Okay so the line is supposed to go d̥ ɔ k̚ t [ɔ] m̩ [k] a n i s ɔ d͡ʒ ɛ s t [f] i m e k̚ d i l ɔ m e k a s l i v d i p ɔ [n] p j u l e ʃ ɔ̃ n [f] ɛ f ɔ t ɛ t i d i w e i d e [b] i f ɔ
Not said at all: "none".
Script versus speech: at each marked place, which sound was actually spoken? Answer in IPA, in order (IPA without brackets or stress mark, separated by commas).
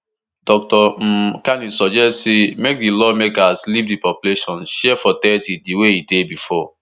ɔ, k, s, none, ʃ, b